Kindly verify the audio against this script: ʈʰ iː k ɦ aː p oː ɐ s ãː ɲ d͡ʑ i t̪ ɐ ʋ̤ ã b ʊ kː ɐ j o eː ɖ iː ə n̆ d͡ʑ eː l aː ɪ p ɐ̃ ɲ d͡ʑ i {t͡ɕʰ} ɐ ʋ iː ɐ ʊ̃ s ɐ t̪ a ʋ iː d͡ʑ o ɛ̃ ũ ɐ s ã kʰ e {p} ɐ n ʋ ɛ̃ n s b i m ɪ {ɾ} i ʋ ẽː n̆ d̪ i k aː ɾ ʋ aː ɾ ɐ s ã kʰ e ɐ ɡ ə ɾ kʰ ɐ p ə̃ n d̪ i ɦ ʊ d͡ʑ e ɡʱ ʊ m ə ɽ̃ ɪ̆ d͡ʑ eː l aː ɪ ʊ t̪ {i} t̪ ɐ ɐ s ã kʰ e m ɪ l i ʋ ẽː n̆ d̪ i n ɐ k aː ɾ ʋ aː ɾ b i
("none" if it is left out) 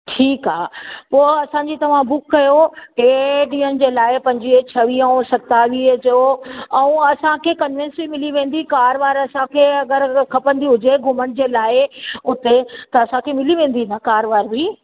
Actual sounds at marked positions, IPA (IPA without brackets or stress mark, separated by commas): t͡ɕʰ, k, l, e